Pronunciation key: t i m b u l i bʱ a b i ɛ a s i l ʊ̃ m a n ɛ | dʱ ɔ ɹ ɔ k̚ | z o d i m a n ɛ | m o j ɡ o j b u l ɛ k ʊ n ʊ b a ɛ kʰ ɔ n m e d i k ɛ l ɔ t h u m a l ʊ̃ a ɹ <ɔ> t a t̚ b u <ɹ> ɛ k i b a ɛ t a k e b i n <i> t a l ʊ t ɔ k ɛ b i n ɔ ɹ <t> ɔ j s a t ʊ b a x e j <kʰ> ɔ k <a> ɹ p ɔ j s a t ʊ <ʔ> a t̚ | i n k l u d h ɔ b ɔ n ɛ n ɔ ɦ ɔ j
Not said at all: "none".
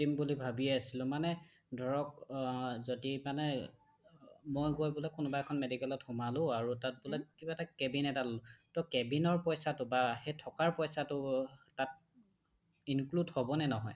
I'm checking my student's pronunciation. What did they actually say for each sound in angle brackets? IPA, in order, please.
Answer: u, l, ɛ, p, tʰ, a, t

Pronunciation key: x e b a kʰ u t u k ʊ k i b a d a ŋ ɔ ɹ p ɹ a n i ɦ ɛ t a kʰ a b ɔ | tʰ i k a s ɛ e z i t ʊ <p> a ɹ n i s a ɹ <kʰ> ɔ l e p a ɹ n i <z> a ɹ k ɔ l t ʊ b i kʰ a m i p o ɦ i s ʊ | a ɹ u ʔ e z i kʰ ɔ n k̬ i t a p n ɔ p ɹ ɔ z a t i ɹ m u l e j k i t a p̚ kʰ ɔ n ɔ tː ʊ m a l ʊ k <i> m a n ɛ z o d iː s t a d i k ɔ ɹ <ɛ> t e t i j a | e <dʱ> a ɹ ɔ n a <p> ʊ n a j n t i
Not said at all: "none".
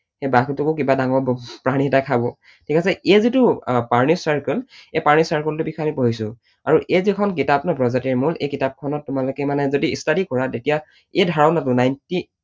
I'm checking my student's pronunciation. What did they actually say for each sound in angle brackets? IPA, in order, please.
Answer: p, k, s, ɛ, a, dʱ, t

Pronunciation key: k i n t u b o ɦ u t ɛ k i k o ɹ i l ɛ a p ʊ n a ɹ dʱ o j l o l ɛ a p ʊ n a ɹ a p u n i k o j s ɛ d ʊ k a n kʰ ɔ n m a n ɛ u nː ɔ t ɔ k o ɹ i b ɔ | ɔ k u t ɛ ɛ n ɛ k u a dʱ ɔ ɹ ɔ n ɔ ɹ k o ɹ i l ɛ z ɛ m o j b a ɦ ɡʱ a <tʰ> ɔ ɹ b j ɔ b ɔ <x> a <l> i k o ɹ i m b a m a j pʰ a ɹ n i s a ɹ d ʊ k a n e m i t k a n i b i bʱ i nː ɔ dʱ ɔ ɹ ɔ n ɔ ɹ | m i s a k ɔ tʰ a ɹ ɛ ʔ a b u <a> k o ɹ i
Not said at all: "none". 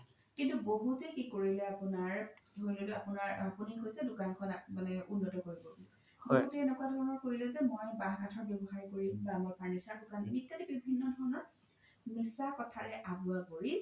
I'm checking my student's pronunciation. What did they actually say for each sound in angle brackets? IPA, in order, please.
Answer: tʰ, x, ɹ, a

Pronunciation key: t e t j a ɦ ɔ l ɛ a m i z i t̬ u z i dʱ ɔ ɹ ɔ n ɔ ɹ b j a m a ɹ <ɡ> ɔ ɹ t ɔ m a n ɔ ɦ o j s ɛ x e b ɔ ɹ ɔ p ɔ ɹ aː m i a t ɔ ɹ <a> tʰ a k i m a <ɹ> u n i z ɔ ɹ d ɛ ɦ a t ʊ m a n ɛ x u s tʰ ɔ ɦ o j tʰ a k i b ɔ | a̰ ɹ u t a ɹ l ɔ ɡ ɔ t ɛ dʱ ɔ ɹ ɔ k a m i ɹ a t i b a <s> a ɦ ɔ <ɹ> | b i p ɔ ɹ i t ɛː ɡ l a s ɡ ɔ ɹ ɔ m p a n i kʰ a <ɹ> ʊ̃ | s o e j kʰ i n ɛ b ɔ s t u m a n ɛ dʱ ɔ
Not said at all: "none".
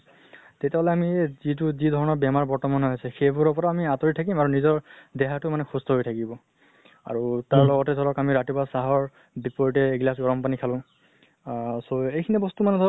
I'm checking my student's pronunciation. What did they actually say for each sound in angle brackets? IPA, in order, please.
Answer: b, i, ɹ, s, ɹ, l

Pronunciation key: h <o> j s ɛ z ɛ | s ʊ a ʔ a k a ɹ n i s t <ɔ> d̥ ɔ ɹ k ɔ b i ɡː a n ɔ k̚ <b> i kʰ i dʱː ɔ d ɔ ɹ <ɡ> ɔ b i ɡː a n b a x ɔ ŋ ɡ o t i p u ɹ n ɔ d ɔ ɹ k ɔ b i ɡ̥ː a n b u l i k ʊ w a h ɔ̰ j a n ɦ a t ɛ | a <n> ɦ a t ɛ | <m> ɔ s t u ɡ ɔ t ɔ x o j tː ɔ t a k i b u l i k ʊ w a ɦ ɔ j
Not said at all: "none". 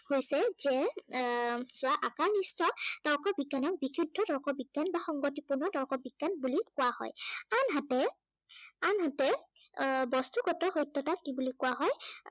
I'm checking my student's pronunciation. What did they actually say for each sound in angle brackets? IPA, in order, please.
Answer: o, ɔ, b, k, n, b

